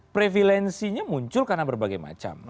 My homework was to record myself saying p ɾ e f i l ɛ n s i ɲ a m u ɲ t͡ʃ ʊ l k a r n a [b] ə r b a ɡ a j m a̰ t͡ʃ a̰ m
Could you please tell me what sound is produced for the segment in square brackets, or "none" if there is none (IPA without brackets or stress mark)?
b